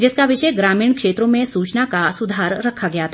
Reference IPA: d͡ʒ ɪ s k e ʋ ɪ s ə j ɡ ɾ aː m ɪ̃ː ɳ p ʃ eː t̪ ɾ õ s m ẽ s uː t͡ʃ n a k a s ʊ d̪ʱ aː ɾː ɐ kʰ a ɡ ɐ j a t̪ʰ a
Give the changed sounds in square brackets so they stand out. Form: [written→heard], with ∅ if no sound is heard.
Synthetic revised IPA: d͡ʒ ɪ s k [e→a] ʋ ɪ [s→ʃ] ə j ɡ ɾ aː m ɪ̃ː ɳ [p→k] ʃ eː t̪ ɾ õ [s→∅] m ẽ s uː t͡ʃ n a k a s ʊ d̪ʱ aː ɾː ɐ kʰ a ɡ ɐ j a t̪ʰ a